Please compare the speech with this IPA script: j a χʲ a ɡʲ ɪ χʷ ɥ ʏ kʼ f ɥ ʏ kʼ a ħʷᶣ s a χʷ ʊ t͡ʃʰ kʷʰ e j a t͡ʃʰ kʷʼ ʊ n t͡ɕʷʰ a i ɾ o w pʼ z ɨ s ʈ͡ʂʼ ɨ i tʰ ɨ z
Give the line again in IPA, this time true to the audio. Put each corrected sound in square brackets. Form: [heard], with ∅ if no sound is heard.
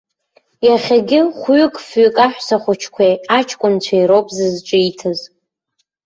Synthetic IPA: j a χʲ a ɡʲ ɪ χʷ ɥ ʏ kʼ f ɥ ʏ kʼ a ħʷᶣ s a χʷ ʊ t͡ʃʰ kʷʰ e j a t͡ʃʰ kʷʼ ʊ n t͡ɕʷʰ a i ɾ o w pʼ z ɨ [z] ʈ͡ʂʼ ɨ i tʰ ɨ z